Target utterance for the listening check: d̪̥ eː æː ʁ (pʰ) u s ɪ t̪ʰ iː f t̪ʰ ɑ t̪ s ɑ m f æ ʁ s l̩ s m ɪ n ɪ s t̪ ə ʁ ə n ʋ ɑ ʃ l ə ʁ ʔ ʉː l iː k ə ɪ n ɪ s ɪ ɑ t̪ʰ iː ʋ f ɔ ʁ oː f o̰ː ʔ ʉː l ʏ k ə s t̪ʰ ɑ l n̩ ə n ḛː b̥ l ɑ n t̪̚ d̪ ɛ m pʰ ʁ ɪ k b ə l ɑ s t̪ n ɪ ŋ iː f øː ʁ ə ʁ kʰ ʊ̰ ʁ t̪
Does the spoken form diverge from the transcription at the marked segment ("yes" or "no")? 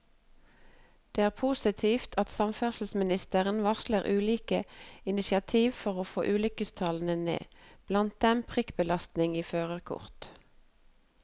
no